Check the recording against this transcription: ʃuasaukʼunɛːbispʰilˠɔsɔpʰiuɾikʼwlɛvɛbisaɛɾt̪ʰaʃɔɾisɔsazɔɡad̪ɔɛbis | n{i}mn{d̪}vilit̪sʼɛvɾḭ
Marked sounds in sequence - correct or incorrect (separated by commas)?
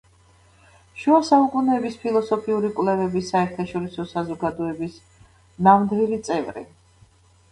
incorrect, correct